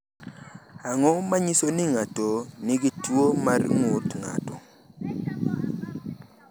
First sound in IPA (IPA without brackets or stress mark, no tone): a